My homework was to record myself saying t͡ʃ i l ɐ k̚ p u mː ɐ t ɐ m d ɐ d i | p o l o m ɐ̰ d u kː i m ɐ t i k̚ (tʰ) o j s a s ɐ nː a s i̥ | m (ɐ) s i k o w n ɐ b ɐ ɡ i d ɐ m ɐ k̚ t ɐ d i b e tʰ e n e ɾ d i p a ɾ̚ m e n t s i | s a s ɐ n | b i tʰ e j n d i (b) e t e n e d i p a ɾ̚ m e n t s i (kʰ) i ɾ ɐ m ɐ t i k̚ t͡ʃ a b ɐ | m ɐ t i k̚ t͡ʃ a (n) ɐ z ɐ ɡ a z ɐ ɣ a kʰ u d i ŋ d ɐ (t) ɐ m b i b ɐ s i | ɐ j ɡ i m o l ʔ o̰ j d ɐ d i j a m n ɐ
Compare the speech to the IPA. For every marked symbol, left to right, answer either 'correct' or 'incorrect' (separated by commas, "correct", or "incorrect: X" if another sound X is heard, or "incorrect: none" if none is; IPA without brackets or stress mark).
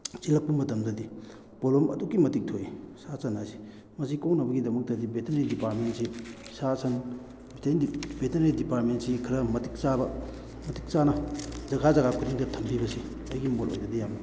correct, correct, correct, correct, correct, incorrect: tʰ